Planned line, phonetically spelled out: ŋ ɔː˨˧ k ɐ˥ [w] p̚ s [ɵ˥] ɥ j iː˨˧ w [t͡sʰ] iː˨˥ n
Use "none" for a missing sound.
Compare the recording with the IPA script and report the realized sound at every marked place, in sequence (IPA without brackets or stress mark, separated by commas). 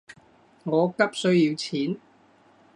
none, ɵ˥, t͡sʰ